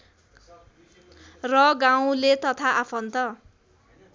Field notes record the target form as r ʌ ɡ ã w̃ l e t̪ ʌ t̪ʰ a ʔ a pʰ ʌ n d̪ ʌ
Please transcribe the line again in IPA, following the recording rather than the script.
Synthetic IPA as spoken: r ʌ ɡ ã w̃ l e t̪ ʌ t̪ʰ a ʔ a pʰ ʌ n t̪ ʌ